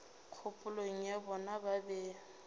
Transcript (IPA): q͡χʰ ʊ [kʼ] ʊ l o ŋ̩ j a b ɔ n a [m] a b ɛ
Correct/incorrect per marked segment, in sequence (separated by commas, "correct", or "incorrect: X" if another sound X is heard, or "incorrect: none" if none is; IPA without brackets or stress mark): incorrect: pʼ, incorrect: b